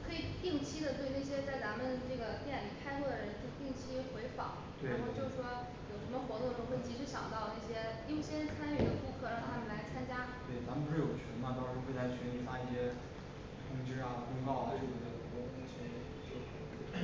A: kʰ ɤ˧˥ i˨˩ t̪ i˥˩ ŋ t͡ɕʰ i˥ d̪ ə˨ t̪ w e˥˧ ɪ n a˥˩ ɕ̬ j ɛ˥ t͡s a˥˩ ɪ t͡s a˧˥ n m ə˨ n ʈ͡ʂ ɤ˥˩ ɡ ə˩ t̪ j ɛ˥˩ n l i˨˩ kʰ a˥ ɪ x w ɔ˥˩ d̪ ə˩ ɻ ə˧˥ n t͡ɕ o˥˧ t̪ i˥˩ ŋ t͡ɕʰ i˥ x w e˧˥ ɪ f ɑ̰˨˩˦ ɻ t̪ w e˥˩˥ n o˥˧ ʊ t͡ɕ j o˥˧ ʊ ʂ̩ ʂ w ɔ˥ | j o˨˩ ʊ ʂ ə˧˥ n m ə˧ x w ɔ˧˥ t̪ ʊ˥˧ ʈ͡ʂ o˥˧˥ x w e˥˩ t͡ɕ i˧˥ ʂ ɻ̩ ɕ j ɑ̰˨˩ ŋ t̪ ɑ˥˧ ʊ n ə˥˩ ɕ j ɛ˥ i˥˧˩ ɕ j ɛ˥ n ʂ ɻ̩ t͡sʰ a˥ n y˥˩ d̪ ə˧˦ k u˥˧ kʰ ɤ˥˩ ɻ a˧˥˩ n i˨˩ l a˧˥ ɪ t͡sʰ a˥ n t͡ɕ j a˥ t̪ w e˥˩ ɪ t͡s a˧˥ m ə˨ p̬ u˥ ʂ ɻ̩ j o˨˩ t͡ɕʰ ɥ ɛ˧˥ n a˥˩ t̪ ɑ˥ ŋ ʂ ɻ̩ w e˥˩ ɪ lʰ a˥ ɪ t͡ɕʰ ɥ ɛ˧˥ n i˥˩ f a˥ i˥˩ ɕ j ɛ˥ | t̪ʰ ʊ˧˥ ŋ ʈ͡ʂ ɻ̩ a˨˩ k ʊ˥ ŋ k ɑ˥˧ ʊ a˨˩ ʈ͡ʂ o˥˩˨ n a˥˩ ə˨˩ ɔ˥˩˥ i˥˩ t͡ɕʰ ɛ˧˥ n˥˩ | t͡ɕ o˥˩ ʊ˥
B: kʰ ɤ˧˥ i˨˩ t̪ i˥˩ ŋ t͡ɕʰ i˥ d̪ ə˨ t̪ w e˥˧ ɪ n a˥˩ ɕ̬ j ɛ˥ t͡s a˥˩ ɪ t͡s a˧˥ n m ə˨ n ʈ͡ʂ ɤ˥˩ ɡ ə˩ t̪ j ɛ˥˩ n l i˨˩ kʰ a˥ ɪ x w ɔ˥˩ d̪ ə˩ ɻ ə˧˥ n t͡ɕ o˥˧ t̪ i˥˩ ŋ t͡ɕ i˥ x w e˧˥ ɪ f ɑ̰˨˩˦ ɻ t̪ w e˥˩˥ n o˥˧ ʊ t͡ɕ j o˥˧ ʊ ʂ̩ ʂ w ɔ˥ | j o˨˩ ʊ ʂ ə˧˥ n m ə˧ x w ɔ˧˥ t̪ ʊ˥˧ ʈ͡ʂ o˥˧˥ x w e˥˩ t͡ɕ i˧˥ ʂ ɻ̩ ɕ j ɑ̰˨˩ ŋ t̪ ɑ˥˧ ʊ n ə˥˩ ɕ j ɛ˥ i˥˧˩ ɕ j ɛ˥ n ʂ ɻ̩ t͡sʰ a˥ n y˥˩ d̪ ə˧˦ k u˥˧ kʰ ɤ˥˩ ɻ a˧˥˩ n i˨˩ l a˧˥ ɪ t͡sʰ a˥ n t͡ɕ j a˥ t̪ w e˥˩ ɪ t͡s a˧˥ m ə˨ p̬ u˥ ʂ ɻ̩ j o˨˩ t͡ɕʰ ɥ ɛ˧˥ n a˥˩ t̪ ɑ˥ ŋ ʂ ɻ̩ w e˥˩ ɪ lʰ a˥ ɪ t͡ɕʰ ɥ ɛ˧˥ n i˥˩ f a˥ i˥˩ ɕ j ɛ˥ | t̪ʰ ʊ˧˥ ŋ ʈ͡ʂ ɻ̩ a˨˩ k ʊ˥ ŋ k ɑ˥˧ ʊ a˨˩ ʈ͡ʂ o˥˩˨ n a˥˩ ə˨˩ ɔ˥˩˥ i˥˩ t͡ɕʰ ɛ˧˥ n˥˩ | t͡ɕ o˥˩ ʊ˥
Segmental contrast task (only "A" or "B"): A